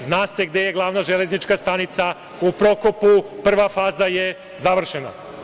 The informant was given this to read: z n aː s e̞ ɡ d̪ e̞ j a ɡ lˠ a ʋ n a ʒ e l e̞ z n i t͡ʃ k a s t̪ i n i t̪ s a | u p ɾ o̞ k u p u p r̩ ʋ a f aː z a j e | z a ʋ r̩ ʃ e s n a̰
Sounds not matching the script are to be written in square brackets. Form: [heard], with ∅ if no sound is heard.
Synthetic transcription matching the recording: z n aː s e̞ ɡ d̪ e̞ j [e] ɡ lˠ a ʋ n a ʒ e l e̞ z n i t͡ʃ k a s t̪ [a] n i t̪ s a | u p ɾ o̞ k [o] p u p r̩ ʋ a f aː z a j e | z a ʋ r̩ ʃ e [∅] n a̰

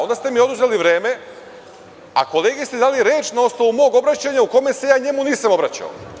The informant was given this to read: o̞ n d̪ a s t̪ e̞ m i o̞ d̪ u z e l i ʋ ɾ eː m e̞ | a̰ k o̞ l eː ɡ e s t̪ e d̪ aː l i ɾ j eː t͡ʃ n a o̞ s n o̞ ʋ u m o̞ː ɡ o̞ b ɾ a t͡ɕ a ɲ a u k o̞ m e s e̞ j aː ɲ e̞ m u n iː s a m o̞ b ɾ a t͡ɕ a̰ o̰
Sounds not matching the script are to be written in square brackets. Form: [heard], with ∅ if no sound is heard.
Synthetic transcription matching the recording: o̞ n d̪ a s t̪ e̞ m i o̞ d̪ u z e l i ʋ ɾ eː m e̞ | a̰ k o̞ l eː ɡ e s t̪ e d̪ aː l i ɾ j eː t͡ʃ n a o̞ s n o̞ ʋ u m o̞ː ɡ o̞ b ɾ a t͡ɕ a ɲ a u k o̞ m e s e̞ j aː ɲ e̞ m u n iː s a m o̞ b ɾ a t͡ɕ a̰ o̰

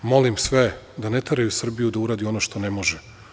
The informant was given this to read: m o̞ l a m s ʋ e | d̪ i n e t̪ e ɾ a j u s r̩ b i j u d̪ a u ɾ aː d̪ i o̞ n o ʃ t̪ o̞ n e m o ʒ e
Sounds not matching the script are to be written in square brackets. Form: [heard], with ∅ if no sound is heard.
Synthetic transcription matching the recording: m o̞ l [i] m s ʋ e | d̪ [a] n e t̪ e ɾ a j u s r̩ b i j u d̪ a u ɾ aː d̪ i o̞ n o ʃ t̪ o̞ n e m o ʒ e

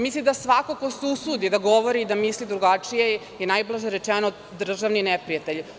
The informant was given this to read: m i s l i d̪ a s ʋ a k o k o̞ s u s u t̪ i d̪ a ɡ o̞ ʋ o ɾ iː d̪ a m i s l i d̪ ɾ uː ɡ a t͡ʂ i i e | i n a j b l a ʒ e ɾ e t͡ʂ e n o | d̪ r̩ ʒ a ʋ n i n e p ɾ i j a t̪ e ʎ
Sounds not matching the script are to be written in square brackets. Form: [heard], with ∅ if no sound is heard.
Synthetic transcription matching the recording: m i s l i d̪ a s ʋ a k o k o̞ s u s u [d̪] i d̪ a ɡ o̞ ʋ o ɾ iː d̪ a m i s l i d̪ ɾ [u] ɡ a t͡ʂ i [j] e | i n a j b l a ʒ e ɾ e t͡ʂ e n o | d̪ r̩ ʒ a ʋ n i n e p ɾ i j a t̪ e ʎ

